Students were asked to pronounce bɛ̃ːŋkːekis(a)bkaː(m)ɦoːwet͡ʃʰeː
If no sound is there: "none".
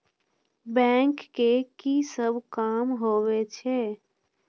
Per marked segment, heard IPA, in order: ə, m

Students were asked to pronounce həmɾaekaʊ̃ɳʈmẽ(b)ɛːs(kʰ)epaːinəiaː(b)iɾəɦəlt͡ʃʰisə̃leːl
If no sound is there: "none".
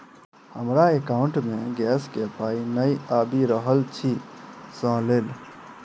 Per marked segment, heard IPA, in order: ɡ, k, b

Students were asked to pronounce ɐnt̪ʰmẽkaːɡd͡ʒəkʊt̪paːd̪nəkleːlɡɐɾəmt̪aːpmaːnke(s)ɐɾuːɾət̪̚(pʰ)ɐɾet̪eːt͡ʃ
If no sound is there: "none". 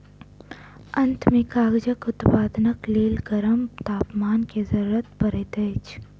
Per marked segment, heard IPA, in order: z, p

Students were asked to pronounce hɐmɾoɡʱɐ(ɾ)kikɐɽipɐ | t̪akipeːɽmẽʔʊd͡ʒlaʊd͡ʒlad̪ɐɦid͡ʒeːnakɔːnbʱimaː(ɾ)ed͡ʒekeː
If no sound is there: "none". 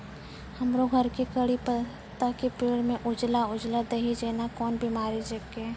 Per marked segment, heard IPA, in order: ɾ, ɾ

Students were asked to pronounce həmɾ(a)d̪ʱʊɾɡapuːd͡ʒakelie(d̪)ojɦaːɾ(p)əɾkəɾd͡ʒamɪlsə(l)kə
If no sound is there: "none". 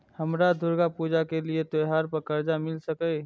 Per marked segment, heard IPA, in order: a, t̪, p, none

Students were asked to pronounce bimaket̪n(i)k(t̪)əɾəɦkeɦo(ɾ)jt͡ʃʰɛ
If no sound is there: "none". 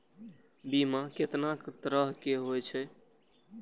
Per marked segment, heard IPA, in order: a, t̪, none

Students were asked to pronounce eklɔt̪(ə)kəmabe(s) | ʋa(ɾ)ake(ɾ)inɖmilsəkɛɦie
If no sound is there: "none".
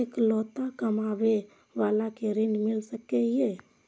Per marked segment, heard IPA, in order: a, none, l, ɾ

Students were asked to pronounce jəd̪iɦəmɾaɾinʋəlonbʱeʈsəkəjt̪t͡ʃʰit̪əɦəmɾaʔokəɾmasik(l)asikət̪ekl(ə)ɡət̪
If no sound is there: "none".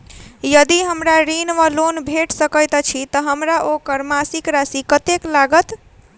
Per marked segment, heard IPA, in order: ɾ, a

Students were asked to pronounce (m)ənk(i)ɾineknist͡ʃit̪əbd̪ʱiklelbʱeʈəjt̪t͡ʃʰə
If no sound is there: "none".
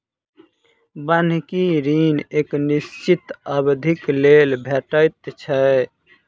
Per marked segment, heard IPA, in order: b, i

